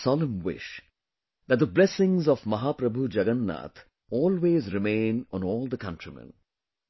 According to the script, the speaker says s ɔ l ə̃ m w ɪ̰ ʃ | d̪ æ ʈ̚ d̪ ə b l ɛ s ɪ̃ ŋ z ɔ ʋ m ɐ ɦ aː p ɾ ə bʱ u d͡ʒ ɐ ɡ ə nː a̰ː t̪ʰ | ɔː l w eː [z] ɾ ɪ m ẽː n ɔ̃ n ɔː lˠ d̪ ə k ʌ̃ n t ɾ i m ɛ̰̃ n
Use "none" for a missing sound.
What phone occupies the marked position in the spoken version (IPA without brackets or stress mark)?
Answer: z